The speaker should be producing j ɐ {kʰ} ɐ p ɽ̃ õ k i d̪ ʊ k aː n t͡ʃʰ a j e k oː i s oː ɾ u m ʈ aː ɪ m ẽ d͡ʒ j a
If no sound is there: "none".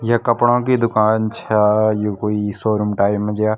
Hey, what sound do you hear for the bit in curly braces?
k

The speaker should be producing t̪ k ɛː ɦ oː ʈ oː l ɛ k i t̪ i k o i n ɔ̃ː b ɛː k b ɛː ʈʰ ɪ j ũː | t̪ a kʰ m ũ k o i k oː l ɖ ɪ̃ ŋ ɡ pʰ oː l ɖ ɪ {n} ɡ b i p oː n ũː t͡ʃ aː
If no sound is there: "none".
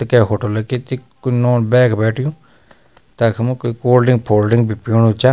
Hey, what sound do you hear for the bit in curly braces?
ŋ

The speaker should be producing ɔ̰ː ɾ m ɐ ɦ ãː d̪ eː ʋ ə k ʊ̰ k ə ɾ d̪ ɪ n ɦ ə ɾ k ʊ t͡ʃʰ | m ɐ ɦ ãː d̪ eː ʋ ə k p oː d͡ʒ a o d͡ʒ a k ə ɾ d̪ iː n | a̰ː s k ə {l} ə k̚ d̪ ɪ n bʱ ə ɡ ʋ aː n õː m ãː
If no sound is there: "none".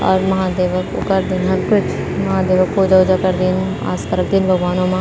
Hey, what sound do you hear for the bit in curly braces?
ɾ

